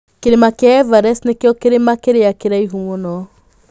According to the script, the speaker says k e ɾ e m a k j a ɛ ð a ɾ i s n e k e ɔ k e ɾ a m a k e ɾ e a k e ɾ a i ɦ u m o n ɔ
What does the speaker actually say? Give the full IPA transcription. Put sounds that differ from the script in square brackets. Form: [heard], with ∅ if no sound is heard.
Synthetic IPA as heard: k e ɾ e m a k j a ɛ [v] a ɾ [ɛ] s n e k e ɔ k e ɾ [e] m a k e ɾ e a k e ɾ a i ɦ u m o n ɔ